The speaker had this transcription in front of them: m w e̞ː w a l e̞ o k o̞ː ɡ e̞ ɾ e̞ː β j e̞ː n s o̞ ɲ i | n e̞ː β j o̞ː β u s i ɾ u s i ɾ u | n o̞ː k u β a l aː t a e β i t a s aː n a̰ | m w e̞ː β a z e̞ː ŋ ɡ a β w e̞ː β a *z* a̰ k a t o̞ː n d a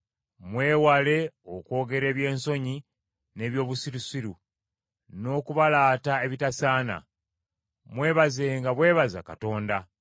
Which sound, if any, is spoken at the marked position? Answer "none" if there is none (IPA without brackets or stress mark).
z